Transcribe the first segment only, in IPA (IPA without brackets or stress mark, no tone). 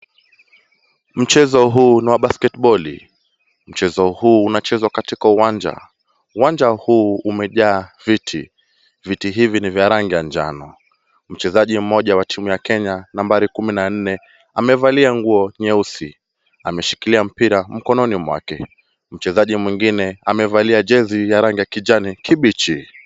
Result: m̩